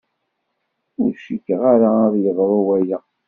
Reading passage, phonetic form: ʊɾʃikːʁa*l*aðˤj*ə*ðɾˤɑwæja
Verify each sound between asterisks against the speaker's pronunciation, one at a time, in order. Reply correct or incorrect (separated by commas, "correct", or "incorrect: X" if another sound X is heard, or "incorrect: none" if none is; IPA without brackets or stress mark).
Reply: incorrect: ɾ, correct